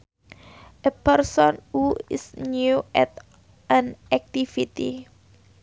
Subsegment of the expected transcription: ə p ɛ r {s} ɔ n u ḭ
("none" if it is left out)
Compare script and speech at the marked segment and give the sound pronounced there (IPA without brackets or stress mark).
s